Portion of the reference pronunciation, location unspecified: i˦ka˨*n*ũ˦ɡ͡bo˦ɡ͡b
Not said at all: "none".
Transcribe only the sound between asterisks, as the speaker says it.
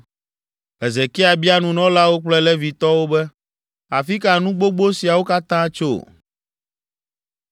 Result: n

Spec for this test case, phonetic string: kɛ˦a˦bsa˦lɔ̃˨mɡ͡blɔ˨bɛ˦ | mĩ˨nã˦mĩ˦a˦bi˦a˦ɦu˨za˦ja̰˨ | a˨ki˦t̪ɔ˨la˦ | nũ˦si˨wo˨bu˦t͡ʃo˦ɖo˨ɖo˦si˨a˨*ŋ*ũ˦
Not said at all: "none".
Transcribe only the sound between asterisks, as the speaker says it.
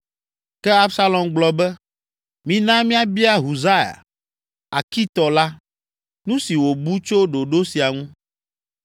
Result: ŋ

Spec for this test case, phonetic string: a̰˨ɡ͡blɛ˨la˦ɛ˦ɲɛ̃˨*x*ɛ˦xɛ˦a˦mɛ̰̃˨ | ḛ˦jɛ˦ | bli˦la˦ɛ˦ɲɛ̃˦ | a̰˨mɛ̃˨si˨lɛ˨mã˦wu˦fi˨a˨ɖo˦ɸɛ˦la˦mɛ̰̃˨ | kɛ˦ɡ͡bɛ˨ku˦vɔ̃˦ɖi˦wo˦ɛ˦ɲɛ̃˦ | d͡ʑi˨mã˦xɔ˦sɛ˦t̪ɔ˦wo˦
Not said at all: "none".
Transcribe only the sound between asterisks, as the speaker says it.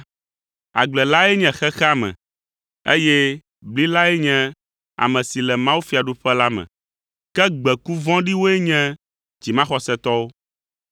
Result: x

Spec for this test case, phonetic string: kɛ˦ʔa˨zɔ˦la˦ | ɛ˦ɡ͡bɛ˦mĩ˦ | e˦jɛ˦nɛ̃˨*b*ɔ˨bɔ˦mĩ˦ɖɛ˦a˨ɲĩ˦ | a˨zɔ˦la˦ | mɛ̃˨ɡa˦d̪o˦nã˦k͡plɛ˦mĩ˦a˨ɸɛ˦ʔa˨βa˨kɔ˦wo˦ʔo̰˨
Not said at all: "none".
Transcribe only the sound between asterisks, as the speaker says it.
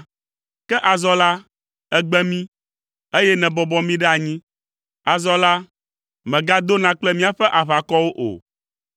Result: b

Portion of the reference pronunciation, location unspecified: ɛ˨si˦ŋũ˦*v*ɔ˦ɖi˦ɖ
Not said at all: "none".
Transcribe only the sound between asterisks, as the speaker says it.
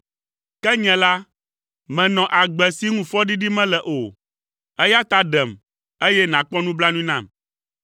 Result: f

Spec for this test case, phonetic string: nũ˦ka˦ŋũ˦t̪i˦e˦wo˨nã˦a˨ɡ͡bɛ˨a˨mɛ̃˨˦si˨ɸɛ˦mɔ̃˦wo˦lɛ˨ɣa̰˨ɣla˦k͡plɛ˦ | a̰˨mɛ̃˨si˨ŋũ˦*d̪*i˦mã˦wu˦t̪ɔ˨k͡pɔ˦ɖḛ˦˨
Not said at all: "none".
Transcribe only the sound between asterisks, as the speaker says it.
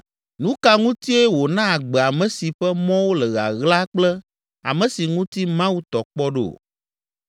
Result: t̪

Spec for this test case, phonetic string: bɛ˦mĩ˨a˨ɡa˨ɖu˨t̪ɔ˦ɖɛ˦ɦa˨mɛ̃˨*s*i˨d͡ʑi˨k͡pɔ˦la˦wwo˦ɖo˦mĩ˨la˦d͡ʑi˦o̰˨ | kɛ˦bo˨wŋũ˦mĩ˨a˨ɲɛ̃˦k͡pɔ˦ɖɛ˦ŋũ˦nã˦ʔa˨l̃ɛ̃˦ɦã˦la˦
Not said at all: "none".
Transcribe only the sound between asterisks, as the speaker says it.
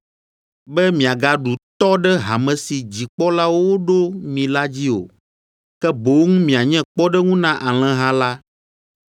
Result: s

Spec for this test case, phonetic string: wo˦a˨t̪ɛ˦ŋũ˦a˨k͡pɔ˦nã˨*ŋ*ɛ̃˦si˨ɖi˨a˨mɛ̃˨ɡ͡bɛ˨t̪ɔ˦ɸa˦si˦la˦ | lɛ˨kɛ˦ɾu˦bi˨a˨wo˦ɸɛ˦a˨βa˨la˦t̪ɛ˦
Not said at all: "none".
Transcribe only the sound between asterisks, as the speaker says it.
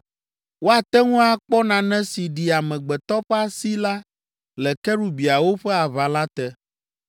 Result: n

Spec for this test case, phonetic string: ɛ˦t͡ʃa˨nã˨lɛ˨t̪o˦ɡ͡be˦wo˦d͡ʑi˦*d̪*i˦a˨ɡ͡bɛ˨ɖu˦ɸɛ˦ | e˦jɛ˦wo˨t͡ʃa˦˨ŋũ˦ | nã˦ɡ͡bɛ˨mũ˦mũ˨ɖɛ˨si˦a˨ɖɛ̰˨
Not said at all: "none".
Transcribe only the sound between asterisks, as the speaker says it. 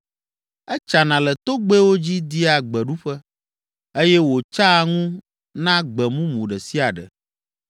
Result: d̪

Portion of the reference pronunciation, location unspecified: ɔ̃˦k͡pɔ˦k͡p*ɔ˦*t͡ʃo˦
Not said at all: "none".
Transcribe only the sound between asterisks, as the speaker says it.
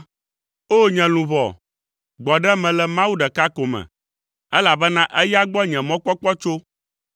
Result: ɔ˦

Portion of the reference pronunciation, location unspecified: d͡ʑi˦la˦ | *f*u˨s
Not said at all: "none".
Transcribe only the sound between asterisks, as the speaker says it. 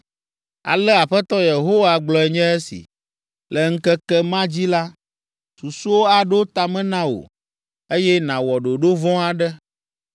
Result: s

